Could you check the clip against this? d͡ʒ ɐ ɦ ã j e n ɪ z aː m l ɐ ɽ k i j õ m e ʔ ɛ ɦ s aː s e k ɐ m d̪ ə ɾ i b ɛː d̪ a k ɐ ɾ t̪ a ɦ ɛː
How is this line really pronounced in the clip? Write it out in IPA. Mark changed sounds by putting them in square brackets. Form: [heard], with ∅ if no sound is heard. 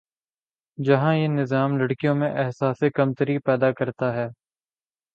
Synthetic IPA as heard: d͡ʒ ɐ ɦ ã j e n ɪ z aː m l ɐ ɽ k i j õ m [ẽ] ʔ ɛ ɦ s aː s e k ɐ m [t̪] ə ɾ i [p] ɛː d̪ a k ɐ ɾ t̪ a ɦ ɛː